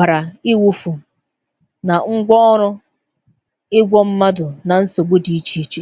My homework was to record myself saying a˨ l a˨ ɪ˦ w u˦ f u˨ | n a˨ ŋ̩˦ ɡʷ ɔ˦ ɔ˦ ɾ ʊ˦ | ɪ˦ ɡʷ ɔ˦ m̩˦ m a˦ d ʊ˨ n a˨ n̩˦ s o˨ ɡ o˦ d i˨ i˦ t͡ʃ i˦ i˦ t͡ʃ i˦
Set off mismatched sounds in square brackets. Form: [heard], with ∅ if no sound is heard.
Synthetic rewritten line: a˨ [ɾ] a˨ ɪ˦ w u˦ f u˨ | n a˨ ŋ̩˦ ɡʷ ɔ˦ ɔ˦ ɾ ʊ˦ | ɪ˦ ɡʷ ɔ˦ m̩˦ m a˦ d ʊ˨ n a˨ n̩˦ s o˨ [ɡ͡b] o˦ d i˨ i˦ t͡ʃ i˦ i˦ t͡ʃ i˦